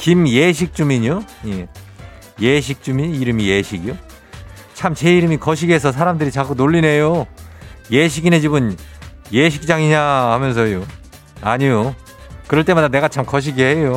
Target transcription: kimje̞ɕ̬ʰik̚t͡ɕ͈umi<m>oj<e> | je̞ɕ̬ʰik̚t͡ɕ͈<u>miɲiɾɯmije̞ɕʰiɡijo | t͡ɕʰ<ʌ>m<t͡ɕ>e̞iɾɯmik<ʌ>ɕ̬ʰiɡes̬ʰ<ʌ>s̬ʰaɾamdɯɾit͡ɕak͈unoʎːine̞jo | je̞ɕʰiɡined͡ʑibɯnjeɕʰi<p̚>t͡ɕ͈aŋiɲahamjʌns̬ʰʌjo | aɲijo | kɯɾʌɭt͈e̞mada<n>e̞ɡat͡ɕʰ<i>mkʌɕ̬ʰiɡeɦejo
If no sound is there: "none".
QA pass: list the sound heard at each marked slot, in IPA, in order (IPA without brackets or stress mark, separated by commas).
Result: ɲ, e, u, a, t͡ɕ, ʌ, ʌ, k̚, n, a